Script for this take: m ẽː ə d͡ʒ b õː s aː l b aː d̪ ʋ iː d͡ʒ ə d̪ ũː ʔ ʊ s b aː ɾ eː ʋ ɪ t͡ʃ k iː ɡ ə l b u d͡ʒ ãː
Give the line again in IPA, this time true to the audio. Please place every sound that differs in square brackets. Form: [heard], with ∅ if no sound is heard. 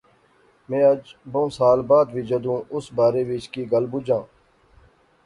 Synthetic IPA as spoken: m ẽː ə d͡ʒ b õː s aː l b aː d̪ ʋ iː d͡ʒ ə d̪ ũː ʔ ʊ s b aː ɾ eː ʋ ɪ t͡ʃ k iː ɡ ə l b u d͡ʒ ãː